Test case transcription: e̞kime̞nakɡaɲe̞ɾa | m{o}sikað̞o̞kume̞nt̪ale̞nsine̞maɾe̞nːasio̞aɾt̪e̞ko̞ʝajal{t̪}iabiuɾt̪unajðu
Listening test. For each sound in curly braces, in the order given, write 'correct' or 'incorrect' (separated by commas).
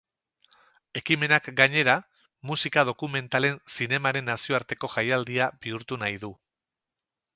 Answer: incorrect, incorrect